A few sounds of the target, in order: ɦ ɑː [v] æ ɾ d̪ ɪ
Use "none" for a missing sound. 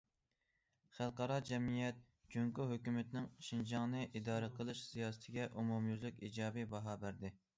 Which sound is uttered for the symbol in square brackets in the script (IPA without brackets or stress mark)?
b